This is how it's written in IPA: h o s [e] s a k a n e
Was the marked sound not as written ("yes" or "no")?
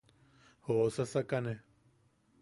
yes